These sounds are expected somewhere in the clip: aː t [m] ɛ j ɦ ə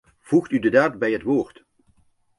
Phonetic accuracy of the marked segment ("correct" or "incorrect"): incorrect